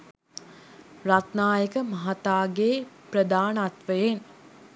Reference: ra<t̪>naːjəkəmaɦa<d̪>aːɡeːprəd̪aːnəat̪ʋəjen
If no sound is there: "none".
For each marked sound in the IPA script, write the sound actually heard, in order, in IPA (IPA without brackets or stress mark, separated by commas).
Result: t̪, t̪